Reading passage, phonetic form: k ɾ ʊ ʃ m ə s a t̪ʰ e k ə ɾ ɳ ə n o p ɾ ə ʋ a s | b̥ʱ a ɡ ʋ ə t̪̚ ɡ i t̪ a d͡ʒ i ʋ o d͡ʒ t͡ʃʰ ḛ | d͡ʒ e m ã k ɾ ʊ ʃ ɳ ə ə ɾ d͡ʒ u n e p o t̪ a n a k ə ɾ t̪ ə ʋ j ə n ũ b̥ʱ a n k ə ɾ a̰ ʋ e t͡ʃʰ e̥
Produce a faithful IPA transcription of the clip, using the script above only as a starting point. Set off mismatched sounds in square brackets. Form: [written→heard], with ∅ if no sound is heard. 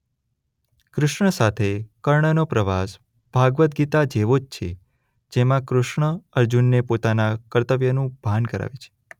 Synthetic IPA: k ɾ ʊ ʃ [m→ɳ] ə s a t̪ʰ e k ə ɾ ɳ ə n o p ɾ ə ʋ a s | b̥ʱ a ɡ ʋ ə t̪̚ ɡ i t̪ a d͡ʒ [i→e] ʋ o d͡ʒ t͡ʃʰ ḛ | d͡ʒ e m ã k ɾ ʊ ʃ ɳ ə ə ɾ d͡ʒ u [n→nː] e p o t̪ a n a k ə ɾ t̪ ə ʋ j ə n ũ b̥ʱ a n k ə ɾ a̰ ʋ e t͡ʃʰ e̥